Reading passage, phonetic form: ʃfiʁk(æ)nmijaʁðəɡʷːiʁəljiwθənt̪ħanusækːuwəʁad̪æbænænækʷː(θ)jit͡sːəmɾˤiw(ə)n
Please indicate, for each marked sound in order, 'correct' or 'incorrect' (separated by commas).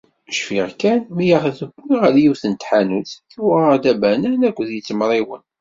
correct, incorrect, correct